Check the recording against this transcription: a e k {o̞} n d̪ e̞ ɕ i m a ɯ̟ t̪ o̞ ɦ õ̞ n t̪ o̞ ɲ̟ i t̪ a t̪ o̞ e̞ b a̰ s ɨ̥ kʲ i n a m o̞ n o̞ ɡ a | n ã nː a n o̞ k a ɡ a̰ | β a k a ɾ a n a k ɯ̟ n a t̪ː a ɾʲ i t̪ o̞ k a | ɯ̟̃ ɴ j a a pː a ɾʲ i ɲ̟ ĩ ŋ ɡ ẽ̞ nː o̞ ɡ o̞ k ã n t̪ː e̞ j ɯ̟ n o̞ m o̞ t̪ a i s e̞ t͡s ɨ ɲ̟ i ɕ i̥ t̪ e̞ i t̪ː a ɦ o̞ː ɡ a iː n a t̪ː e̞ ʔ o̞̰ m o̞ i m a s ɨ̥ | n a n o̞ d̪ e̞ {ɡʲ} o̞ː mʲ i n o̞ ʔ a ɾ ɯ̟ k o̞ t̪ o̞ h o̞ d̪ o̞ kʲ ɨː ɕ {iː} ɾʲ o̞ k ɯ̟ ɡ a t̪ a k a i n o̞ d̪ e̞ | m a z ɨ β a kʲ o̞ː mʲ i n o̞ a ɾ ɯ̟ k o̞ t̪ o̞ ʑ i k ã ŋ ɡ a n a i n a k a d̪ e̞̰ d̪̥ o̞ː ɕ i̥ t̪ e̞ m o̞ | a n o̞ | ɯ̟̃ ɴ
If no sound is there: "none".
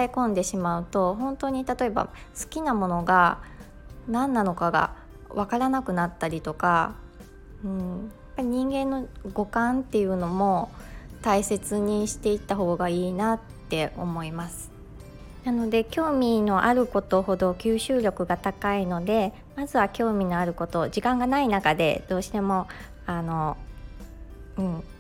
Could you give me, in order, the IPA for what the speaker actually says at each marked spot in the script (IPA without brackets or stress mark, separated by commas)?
õ̞, kʲ, ɨː